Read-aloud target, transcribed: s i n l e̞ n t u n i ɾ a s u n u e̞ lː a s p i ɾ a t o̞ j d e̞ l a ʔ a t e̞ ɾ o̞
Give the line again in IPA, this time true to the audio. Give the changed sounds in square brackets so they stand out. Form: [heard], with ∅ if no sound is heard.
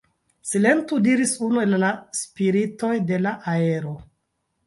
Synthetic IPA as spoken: s i [∅] l e̞ n t u [d] i ɾ [i] s u n u e̞ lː a s p i ɾ [i] t o̞ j d e̞ l a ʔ a [∅] e̞ ɾ o̞